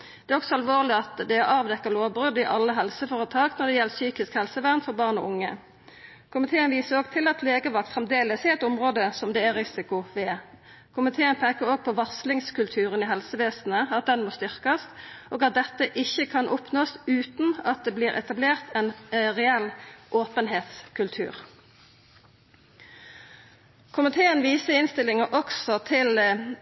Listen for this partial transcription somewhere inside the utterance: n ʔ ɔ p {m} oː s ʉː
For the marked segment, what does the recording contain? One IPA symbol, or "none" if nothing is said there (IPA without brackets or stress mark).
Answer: n